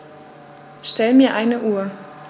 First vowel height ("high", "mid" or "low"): mid